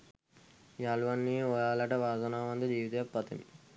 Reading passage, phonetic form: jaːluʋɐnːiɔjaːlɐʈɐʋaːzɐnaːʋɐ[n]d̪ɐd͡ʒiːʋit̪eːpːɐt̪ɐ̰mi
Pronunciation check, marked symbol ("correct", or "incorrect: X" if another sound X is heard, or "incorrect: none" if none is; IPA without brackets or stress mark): correct